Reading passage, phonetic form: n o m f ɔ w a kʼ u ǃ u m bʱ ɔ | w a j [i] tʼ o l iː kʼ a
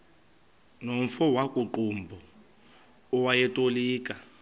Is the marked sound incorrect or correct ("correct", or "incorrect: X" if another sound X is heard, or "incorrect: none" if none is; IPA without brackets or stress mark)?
incorrect: ɛ